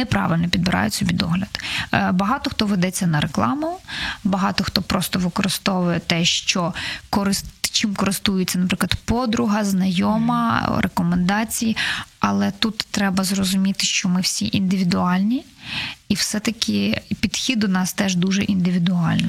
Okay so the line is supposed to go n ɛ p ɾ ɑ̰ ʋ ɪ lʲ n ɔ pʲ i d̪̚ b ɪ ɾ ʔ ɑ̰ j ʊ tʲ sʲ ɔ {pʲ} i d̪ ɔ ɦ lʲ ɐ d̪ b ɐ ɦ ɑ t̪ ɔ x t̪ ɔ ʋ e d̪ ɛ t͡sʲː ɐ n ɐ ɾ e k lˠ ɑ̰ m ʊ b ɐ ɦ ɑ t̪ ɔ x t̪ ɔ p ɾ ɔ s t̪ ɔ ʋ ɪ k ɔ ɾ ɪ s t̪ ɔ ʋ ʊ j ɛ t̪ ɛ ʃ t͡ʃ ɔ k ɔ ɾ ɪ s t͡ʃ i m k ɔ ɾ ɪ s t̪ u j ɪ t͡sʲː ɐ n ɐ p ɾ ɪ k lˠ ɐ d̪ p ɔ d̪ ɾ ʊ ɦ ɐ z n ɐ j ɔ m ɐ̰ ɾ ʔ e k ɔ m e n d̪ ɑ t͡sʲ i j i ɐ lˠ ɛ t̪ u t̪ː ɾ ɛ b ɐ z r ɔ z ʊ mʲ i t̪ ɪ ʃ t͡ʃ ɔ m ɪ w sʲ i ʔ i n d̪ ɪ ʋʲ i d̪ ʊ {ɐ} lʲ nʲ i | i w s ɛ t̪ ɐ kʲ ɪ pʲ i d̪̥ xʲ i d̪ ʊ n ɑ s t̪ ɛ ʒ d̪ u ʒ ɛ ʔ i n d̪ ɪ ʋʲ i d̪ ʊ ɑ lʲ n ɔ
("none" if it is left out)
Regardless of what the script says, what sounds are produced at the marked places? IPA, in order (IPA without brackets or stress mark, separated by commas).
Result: bʲ, ɑ